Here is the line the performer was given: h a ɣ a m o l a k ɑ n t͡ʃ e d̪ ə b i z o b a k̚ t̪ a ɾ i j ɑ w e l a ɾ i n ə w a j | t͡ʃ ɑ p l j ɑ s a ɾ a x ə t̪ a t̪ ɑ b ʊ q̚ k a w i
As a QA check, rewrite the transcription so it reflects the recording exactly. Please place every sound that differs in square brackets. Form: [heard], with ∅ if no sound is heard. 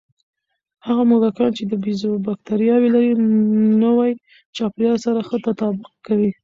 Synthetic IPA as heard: h a ɣ a m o l a k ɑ n t͡ʃ e d̪ ə b i z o b a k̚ t̪ a ɾ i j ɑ w e l a ɾ i n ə w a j | t͡ʃ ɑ p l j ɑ s a ɾ a x ə t̪ a t̪ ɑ b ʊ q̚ k a w i